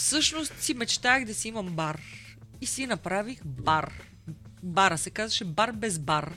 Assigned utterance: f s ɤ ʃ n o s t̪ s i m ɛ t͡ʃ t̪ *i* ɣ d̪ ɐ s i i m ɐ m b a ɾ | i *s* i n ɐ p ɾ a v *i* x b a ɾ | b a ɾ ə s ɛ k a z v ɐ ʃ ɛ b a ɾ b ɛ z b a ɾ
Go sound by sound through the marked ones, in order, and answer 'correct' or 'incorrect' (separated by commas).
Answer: incorrect, correct, correct